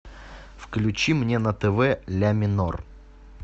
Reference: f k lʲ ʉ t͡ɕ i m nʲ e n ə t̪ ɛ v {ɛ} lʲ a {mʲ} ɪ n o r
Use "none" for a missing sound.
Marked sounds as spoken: ɛ, mʲ

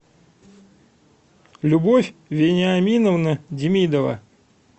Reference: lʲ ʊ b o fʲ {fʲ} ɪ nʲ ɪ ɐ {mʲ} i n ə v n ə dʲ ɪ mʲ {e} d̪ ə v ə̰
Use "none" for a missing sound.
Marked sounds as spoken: vʲ, mʲ, i

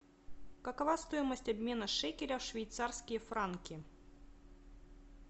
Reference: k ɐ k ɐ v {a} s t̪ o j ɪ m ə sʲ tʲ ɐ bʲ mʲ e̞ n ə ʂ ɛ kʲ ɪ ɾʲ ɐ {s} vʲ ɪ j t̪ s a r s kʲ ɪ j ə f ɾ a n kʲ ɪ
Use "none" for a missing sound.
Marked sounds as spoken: a, ʂ

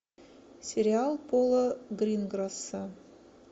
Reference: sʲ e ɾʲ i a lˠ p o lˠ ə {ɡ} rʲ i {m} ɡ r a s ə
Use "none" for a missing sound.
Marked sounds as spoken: ɡ, n

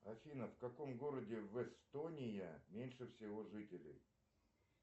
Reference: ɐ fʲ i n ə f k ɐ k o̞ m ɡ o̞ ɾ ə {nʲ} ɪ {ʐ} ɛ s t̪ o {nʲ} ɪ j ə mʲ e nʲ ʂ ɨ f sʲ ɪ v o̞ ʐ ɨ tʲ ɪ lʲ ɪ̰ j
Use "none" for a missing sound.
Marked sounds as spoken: dʲ, v, nʲ

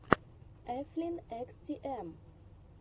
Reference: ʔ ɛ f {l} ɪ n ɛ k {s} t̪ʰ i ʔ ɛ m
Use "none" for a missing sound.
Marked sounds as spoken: l, s

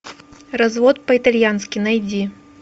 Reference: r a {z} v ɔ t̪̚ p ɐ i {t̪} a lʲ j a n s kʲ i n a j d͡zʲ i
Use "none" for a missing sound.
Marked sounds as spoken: z, t̪

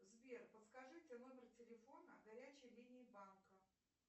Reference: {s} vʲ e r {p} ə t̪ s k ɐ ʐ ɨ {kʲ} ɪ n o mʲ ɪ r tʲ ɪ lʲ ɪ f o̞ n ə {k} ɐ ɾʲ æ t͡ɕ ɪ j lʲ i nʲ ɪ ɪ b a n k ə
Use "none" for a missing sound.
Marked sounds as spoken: z, p, tʲ, ɡ

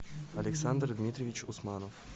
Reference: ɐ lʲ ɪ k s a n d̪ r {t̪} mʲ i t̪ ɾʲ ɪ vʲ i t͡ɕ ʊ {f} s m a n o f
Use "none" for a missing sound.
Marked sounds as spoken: d̪, none

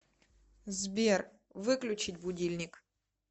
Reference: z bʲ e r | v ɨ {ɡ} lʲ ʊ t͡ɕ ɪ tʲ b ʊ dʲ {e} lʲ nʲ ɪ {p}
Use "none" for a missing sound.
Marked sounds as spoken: k, i, k

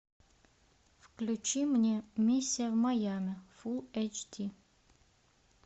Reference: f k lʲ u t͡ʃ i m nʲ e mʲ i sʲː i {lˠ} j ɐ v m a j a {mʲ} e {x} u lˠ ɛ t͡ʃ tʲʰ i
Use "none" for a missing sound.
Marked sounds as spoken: none, mʲ, f

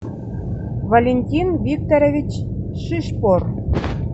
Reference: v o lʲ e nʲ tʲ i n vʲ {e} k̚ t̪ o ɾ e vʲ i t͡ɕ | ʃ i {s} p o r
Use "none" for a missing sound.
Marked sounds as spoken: i, ʃ

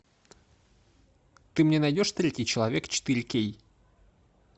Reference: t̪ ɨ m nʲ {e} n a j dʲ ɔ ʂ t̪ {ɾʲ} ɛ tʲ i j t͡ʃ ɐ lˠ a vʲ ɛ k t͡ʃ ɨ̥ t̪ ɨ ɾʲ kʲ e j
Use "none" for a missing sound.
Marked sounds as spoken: ɛ, ɾʲ

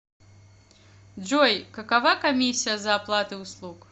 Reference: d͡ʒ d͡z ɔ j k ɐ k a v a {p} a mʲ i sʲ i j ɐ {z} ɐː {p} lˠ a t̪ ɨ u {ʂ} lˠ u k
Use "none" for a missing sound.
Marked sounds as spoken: k, z, p, s

